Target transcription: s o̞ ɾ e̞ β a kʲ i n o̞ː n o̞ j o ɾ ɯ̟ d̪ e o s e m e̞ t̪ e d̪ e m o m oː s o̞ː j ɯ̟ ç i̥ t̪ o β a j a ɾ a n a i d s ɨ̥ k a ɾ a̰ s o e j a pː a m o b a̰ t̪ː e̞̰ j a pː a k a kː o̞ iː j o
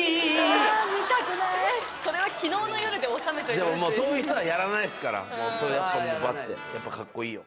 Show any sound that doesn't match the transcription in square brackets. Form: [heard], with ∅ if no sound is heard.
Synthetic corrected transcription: s o̞ ɾ e̞ β a kʲ i n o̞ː n o̞ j o ɾ ɯ̟ d̪ e o s [a] m e̞ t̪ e d̪ e m o m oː s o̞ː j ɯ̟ ç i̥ t̪ o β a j a ɾ a n a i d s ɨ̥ k a ɾ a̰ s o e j a pː a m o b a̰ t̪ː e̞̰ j a pː a k a kː o̞ iː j o